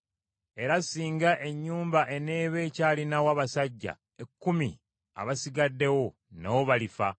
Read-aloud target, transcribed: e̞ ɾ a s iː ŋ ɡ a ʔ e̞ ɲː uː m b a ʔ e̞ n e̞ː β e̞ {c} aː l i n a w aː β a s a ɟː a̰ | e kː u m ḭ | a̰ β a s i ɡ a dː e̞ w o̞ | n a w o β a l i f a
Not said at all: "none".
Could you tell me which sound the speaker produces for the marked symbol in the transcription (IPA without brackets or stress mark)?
c